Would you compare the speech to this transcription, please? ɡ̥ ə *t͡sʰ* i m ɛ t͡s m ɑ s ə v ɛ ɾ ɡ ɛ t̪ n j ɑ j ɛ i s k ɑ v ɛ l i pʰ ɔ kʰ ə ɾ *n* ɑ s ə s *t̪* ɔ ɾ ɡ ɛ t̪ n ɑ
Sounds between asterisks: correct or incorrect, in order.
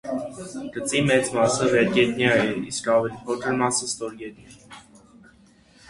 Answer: incorrect, incorrect, correct

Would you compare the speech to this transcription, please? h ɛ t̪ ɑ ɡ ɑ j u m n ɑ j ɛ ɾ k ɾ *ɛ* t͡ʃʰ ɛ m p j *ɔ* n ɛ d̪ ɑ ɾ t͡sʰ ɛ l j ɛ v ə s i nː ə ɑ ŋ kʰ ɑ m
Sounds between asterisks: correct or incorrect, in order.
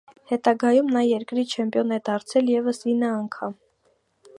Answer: incorrect, correct

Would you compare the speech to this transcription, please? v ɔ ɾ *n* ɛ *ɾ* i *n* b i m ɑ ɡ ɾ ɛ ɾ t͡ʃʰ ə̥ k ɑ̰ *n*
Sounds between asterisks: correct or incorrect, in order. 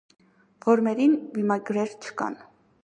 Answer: incorrect, correct, correct, correct

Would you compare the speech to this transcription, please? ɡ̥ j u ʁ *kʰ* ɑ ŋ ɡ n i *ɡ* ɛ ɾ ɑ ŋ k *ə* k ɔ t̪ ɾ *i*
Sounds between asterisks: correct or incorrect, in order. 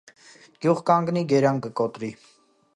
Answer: incorrect, correct, correct, correct

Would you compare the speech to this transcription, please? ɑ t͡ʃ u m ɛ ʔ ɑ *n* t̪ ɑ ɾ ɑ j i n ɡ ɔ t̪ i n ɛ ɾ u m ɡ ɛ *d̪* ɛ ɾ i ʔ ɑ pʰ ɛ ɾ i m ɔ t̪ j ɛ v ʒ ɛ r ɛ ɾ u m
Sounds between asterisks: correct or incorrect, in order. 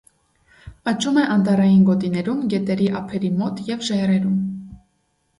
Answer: correct, incorrect

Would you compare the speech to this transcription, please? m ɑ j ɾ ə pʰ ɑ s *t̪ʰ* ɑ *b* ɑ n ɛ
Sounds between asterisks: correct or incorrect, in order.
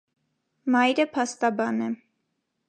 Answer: incorrect, correct

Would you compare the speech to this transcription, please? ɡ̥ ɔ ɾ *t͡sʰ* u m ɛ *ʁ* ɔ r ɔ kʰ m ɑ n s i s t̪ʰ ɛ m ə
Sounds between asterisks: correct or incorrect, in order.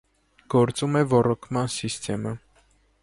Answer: incorrect, incorrect

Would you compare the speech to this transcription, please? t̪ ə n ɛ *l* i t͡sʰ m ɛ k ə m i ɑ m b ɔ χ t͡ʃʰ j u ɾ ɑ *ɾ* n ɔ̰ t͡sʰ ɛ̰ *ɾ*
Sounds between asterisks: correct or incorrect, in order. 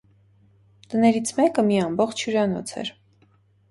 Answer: incorrect, incorrect, correct

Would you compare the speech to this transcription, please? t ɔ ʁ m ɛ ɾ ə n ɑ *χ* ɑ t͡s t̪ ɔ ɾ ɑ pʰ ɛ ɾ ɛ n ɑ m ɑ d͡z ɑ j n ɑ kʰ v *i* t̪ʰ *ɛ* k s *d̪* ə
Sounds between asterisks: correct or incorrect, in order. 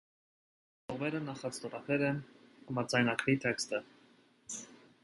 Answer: correct, correct, correct, incorrect

